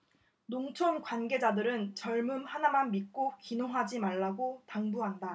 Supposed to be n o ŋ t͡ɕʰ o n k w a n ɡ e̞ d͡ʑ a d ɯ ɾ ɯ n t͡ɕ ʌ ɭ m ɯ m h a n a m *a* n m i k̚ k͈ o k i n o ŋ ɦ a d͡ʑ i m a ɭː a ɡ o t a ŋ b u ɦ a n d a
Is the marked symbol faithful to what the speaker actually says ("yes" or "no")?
yes